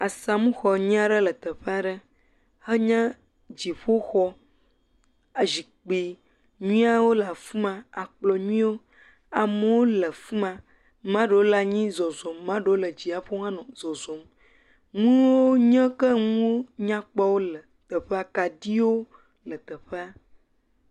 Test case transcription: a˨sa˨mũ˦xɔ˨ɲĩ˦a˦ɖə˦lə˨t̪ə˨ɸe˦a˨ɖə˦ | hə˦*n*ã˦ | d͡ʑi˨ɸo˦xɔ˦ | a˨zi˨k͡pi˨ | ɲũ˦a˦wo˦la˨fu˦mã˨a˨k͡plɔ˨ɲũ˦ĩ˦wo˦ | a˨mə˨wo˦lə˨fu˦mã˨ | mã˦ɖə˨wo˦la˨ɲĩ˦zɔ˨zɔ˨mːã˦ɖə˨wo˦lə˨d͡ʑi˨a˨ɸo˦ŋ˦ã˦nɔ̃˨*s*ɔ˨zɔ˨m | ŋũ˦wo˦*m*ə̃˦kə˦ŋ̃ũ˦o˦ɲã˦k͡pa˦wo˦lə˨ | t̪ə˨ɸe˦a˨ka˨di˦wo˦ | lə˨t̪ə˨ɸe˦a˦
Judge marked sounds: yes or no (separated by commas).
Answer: no, no, no